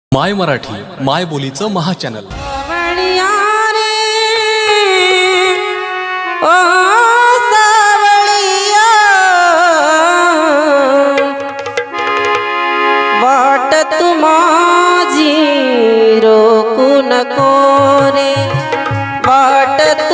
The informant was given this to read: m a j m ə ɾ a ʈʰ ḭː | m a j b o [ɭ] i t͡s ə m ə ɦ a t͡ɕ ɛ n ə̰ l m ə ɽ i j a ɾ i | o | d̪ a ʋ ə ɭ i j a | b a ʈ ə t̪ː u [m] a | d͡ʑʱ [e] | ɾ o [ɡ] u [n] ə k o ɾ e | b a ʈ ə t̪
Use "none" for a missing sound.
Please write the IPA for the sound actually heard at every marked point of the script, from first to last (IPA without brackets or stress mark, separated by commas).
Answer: l, m, i, k, n